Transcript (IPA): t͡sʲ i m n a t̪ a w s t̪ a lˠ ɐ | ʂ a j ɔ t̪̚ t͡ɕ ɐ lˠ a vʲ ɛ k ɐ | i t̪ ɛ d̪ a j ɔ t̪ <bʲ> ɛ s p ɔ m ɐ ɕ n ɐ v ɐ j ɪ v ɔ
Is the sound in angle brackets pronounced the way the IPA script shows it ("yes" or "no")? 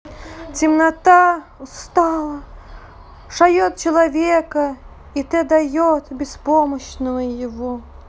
yes